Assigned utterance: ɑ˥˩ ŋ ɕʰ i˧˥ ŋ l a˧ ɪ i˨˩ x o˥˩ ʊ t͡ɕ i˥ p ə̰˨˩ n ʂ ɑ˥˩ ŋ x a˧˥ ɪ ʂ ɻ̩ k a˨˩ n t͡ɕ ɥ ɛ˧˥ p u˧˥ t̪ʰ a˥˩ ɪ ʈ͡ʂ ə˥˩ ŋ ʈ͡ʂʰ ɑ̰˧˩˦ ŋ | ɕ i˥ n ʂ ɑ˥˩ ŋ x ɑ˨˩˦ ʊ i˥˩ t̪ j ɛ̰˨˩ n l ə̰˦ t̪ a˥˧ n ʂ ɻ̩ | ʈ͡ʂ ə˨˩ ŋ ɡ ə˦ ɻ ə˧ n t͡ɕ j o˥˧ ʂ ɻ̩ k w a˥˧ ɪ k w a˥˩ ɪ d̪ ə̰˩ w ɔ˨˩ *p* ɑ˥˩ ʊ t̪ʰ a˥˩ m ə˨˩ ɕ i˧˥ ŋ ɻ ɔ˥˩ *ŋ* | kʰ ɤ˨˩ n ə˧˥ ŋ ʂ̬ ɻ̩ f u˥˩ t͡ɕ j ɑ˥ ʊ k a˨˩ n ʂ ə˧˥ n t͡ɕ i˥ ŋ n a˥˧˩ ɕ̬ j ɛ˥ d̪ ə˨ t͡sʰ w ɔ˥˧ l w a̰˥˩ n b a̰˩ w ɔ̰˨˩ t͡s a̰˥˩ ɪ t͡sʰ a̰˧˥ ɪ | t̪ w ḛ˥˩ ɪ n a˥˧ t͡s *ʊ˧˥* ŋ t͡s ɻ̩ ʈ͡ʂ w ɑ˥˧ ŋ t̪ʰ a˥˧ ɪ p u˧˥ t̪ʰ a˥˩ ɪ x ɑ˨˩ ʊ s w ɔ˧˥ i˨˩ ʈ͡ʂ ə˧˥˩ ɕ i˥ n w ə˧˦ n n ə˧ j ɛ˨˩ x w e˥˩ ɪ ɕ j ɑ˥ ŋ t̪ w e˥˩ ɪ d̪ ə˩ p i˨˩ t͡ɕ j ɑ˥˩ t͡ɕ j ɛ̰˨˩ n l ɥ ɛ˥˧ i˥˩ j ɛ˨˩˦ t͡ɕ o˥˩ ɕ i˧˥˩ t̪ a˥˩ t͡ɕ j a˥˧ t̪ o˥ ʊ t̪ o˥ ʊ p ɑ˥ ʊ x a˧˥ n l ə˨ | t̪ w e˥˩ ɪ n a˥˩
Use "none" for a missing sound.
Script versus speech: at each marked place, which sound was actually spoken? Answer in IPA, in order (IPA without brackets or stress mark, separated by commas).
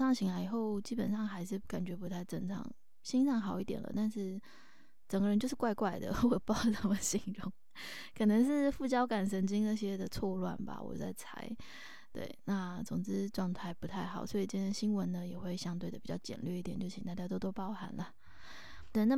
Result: p, ŋ, ʊ˨˩